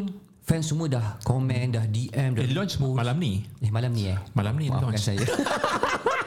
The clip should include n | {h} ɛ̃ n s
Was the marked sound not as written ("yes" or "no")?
yes